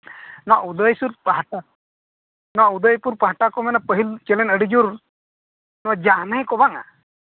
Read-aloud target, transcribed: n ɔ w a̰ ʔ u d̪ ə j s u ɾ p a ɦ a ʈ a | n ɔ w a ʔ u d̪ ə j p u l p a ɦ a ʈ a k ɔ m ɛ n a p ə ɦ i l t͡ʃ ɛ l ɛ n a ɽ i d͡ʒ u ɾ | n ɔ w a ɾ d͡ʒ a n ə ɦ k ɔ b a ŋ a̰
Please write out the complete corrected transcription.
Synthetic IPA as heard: n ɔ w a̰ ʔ u d̪ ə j s u ɾ p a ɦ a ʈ a | n ɔ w a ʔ u d̪ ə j p u ɾ p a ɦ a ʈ a k ɔ m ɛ n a p ə ɦ i l t͡ʃ ɛ l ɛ n ə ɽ i d͡ʒ u ɾ | n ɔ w a d͡ʒ a n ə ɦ k ɔ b a ŋ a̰